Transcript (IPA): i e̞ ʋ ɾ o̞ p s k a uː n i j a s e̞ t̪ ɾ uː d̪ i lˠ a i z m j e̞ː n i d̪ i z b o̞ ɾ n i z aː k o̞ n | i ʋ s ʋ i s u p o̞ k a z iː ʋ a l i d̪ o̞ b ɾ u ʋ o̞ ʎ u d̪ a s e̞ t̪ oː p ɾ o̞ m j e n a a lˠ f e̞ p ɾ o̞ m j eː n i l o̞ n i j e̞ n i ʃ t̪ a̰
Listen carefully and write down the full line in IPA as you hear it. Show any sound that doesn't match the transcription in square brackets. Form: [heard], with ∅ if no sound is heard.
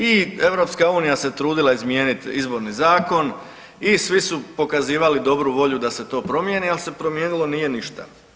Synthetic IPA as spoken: i e̞ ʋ ɾ o̞ p s k a uː n i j a s e̞ t̪ ɾ uː d̪ i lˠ a i z m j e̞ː n i [t̪] i z b o̞ ɾ n i z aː k o̞ n | i [∅] s ʋ i s u p o̞ k a z iː ʋ a l i d̪ o̞ b ɾ u ʋ o̞ ʎ u d̪ a s e̞ t̪ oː p ɾ o̞ m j e n [i] a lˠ [s] e̞ p ɾ o̞ m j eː n i l o̞ n i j e̞ n i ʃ t̪ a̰